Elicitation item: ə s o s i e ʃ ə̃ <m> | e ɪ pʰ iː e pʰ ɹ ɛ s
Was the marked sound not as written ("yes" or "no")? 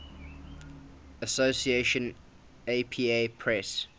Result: yes